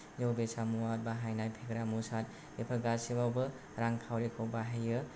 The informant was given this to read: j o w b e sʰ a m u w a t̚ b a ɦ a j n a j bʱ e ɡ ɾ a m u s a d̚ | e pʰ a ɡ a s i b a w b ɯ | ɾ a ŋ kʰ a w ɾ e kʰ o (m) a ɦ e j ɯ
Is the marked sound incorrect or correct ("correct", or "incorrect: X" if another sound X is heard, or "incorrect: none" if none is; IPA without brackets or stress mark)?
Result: incorrect: b